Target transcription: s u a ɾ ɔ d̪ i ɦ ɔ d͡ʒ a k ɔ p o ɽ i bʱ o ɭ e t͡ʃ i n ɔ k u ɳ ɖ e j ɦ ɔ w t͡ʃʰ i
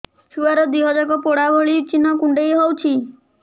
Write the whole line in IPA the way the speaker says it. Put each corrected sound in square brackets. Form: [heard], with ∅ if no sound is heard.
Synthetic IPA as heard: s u a ɾ ɔ d̪ i ɦ ɔ d͡ʒ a k ɔ p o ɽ [a] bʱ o ɭ [i] t͡ʃ i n ɔ k u ɳ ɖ e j ɦ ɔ w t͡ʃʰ i